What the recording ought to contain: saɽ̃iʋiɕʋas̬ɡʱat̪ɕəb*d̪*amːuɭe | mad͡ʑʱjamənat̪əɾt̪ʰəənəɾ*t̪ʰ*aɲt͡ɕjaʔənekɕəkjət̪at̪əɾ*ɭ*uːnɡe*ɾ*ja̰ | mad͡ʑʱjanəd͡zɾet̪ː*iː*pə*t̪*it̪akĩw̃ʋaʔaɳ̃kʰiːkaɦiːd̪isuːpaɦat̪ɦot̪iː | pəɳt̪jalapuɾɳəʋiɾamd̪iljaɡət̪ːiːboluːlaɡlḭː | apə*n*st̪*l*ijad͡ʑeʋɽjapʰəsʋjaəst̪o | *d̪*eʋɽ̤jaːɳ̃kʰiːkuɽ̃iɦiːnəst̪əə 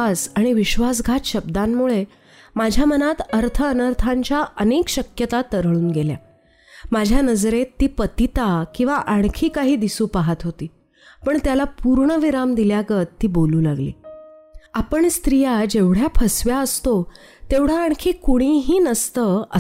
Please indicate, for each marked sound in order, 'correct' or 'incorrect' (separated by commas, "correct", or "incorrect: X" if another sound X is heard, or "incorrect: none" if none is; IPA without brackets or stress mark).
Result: correct, correct, correct, incorrect: l, correct, correct, incorrect: ɳ, incorrect: ɾ, incorrect: t̪